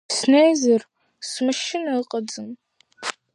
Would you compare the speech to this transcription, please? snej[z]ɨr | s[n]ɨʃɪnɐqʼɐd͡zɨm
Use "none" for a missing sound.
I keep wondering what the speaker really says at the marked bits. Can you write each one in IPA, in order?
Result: z, m

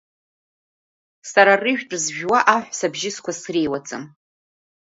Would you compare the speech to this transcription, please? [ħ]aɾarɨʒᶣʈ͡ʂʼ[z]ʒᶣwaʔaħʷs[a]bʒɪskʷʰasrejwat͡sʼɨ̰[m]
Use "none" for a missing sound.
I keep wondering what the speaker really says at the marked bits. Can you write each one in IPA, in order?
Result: s, z, a, m

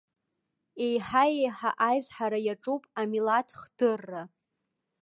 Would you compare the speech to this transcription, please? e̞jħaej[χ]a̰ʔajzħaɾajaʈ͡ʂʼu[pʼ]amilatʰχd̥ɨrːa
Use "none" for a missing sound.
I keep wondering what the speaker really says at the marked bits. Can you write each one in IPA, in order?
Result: ħ, pʼ

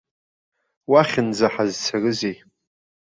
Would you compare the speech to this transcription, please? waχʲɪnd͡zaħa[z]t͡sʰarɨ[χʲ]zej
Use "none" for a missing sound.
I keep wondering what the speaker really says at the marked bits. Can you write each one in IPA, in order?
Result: z, none

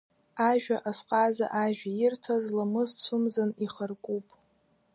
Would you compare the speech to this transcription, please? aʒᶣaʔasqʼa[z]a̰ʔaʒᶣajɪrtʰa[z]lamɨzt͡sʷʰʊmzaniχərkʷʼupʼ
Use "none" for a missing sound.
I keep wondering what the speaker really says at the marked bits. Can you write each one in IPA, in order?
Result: z, z

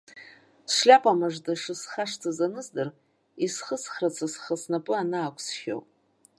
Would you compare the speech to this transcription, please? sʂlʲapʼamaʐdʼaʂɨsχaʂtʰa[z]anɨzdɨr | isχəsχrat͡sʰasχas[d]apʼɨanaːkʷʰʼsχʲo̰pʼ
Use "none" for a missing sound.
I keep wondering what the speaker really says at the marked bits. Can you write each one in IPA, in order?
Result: z, n

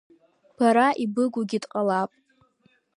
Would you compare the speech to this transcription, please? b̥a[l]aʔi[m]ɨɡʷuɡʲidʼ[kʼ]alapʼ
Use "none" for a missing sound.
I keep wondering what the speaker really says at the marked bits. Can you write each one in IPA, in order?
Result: ɾ, b, qʼ

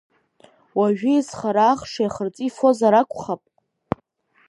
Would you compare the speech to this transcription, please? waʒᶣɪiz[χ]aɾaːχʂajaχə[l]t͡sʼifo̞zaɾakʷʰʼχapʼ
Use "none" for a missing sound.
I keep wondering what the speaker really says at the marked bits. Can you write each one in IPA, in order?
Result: χ, r

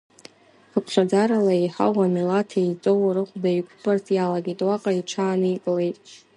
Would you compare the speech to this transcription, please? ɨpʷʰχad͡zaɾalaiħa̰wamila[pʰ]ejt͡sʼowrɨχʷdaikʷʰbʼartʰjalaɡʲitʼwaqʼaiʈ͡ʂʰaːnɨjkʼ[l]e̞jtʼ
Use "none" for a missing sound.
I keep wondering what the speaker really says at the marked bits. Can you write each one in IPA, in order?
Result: tʰ, l

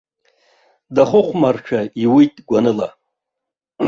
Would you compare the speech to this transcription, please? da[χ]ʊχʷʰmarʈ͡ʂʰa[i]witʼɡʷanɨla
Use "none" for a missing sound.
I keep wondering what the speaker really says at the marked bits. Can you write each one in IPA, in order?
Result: χ, i

